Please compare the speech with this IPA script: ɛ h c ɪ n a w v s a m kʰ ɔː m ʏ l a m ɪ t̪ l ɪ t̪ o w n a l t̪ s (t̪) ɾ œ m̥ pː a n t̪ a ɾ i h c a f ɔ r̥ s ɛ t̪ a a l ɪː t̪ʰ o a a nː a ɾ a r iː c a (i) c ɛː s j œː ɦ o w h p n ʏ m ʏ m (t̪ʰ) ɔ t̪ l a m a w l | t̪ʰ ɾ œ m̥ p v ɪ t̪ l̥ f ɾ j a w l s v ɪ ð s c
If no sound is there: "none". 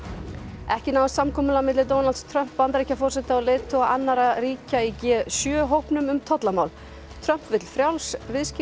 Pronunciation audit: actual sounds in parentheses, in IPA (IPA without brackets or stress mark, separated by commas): t̪ʰ, i, t̪ʰ